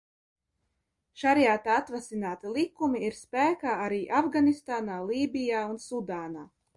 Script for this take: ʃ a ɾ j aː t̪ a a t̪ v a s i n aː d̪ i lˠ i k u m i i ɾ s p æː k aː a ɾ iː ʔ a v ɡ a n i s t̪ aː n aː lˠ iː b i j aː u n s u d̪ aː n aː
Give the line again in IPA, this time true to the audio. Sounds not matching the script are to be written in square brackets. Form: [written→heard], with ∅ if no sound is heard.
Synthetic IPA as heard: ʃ a ɾ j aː t̪ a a t̪ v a s i n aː [d̪→t̪] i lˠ i k u m i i ɾ s p æː k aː a ɾ iː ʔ a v ɡ a n i s t̪ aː n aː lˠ iː b i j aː u n s u d̪ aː n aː